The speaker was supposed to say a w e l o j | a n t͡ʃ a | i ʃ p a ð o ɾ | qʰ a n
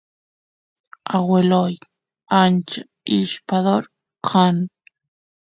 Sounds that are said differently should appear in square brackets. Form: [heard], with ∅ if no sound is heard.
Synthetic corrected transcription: a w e l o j | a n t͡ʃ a | i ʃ p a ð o ɾ | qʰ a n